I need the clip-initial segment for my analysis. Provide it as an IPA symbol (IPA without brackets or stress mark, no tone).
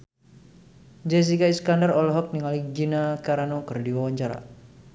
d͡ʒ